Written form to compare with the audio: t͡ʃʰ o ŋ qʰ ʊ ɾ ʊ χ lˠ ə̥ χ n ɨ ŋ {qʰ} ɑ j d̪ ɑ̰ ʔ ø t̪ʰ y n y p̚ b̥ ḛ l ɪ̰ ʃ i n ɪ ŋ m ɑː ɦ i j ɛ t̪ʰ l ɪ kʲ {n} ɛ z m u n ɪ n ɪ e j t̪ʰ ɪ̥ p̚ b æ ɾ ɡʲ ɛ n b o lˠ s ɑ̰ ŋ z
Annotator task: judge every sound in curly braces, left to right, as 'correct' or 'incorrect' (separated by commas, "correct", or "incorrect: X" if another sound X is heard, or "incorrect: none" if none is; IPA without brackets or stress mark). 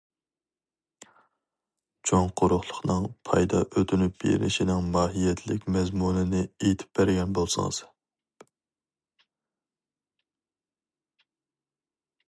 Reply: incorrect: pʰ, incorrect: m